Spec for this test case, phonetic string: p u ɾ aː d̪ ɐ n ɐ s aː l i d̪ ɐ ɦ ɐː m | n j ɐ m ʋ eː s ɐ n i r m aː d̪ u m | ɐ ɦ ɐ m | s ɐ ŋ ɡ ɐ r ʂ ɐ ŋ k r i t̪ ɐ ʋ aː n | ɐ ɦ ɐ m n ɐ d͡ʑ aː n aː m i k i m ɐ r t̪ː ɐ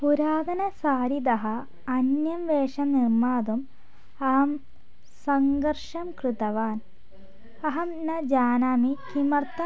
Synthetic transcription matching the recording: p u ɾ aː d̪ ɐ n ɐ s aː ɾ i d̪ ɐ ɦ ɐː | n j ɐ m ʋ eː ʂ ɐ n i r m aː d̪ u m | ɐ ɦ ɐ m | s ɐ ŋ ɡ ɐ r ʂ ɐ m k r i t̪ ɐ ʋ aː n | ɐ ɦ ɐ m n ɐ d͡ʑ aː n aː m i k i m ɐ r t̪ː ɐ